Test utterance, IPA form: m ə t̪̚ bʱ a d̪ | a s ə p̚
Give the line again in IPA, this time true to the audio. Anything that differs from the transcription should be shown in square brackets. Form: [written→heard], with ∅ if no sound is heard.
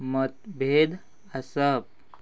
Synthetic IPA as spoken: m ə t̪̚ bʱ [a→e] d̪ | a s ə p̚